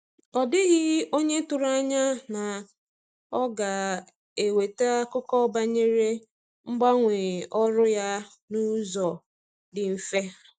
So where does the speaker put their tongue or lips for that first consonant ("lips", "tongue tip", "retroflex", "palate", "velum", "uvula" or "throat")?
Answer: tongue tip